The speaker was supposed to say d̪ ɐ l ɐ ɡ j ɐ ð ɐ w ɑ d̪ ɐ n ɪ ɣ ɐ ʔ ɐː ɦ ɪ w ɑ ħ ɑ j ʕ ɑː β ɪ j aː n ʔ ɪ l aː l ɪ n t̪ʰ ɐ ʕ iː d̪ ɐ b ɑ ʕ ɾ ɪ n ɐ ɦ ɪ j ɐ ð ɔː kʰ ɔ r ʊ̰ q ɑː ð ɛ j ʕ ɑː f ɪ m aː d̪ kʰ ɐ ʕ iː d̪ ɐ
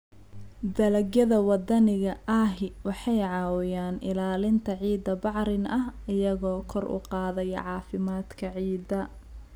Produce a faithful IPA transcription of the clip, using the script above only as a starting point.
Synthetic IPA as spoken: d̪ ɐ l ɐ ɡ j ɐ ð ɐ w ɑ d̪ ɐ n ɪ ɣ ɐ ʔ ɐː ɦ ɪ w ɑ ħ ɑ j ʕ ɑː w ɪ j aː n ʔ ɪ l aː l ɪ n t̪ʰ ɐ ʕ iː d̪ ɐ b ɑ ʕ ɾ ɪ n ɐ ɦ ɪ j ɐ ɣ ɔː kʰ ɔ r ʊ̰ q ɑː ð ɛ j ʕ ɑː f ɪ m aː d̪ kʰ ɐ ʕ iː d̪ ɐ